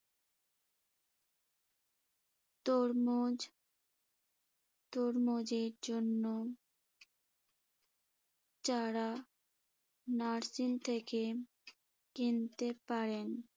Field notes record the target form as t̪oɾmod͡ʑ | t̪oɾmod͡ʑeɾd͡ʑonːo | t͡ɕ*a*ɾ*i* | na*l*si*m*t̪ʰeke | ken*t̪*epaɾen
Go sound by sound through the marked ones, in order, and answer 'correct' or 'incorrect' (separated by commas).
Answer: correct, incorrect, incorrect, incorrect, correct